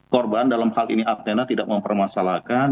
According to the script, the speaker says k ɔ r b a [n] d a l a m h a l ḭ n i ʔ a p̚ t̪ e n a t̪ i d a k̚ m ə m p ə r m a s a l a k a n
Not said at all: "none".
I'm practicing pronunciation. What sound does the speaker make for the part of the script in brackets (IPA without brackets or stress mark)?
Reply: n